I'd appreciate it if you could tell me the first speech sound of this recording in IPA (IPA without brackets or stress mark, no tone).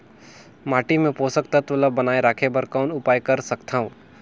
m